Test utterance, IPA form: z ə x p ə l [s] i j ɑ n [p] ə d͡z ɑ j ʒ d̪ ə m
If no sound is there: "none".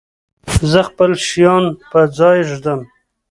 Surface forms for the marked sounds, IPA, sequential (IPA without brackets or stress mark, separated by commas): ʃ, p